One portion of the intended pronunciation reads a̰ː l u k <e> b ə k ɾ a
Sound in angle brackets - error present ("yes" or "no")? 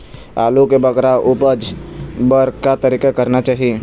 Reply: no